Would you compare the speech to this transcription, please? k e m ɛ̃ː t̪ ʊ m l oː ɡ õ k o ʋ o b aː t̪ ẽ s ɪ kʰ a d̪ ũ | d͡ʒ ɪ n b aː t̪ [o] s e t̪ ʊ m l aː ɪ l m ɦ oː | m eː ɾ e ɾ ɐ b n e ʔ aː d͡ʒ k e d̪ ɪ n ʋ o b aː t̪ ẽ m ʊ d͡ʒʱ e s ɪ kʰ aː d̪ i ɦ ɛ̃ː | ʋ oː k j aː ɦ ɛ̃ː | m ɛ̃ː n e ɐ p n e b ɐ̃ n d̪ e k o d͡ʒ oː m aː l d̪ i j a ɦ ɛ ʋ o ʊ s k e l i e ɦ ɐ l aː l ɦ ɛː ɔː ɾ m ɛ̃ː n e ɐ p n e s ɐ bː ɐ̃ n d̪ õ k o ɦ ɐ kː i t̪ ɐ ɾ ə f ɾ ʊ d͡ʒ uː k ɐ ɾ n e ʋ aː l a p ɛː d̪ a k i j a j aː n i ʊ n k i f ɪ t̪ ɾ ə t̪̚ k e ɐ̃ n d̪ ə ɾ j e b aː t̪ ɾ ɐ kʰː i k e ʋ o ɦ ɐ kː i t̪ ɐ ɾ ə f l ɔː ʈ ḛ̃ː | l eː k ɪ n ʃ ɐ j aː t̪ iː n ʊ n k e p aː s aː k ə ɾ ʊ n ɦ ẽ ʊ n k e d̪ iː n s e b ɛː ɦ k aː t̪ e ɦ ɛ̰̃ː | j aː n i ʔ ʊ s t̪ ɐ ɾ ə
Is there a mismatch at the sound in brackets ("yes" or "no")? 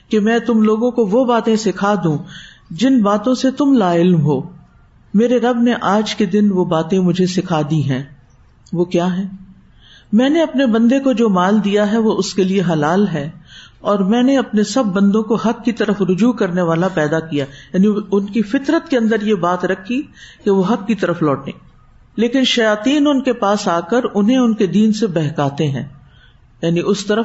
yes